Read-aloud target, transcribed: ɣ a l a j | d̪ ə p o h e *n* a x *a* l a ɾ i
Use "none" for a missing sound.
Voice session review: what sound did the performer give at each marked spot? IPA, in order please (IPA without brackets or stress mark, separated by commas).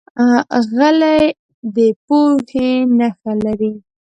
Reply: n, a